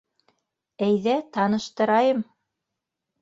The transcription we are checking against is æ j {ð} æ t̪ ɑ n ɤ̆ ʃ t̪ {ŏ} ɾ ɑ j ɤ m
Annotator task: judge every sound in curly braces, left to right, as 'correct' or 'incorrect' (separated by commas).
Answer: correct, incorrect